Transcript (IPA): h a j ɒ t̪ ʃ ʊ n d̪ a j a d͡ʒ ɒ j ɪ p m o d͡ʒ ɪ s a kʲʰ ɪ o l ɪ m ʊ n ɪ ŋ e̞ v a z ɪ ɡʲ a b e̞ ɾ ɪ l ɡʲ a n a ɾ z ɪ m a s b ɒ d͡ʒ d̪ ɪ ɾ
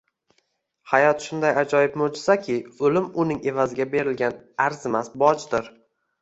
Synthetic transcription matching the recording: h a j ɒ t̪ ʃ ʊ n d̪ a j a d͡ʒ ɒ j ɪ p m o d͡ʒ ɪ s a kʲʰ ɪ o l ɪ m ʊ n ɪ ŋ e̞ v a z ɪ ɡʲ a b e̞ ɾ ɪ l ɡʲ a n a ɾ z ɪ m a s b ɒ d͡ʒ d̪ ɪ ɾ